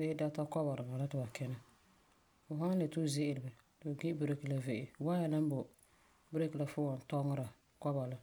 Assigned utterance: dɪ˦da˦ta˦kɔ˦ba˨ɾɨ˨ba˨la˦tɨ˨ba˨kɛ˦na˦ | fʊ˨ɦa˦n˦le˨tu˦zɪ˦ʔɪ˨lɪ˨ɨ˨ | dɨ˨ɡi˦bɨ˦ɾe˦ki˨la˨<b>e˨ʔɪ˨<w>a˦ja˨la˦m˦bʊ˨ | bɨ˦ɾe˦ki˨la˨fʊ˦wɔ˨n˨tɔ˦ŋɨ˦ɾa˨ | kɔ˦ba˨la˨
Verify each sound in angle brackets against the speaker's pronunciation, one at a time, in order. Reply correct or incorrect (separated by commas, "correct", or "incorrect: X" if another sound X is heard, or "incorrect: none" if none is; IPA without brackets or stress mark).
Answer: incorrect: v, correct